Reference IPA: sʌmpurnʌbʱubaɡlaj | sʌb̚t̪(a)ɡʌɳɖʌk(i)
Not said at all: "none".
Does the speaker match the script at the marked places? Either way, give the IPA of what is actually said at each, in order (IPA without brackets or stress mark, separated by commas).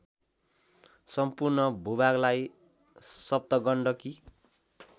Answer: ʌ, i